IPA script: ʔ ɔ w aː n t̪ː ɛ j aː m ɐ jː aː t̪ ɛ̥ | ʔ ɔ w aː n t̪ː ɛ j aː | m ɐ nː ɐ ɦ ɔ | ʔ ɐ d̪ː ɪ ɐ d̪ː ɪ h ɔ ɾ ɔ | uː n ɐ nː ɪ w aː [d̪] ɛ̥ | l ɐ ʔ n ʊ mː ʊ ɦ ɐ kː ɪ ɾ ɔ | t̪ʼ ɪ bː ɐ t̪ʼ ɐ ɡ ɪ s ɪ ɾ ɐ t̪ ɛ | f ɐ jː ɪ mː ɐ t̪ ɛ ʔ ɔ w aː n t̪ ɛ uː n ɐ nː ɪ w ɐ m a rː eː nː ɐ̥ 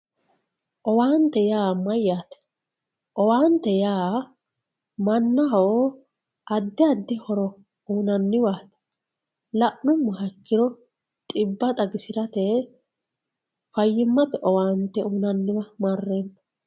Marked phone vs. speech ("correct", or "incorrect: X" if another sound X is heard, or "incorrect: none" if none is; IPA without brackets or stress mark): incorrect: t̪